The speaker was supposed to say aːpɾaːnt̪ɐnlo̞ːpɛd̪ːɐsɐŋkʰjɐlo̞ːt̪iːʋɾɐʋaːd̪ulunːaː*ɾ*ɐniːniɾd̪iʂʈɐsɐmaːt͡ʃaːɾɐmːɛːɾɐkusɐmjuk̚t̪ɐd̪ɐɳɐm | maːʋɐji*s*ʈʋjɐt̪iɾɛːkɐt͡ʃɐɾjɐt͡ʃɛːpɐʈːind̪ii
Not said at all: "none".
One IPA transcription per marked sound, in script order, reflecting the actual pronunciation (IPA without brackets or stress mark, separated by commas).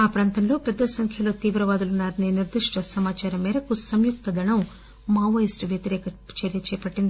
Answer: ɾ, s